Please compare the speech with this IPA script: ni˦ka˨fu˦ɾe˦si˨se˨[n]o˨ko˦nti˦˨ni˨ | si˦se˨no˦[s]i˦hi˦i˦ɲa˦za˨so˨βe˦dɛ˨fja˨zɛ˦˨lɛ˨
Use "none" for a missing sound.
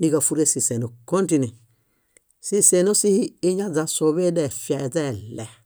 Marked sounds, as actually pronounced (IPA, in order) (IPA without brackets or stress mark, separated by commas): n, s